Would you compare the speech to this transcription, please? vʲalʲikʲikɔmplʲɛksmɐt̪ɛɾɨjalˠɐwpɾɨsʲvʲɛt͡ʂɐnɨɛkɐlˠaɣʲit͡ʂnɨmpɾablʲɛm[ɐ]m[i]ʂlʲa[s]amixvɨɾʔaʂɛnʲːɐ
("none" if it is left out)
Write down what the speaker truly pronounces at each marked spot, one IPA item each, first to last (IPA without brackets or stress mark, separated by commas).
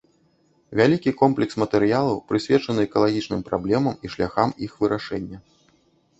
ɐ, i, x